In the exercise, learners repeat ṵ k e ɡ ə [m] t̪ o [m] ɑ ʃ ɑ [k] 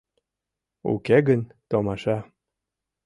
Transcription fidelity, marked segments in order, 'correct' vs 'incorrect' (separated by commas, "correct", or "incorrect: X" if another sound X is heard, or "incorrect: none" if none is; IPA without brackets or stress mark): incorrect: n, correct, incorrect: none